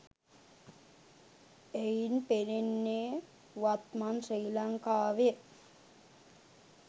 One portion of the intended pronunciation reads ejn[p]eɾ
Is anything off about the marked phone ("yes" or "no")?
no